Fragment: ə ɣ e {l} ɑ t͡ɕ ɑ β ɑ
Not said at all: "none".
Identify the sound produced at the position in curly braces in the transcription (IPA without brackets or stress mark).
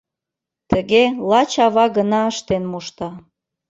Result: l